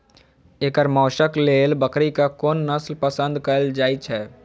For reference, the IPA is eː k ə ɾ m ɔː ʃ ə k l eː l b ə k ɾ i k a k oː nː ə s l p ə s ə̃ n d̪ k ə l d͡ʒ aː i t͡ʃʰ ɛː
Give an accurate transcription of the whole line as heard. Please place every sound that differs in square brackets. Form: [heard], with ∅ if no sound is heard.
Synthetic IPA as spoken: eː k ə ɾ m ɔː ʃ ə k l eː l b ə k ɾ i k a k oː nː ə s l p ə s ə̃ n d̪ k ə l d͡ʒ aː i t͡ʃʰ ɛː